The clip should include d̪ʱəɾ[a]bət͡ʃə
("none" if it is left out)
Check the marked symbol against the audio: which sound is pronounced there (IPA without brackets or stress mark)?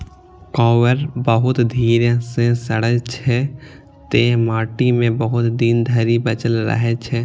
i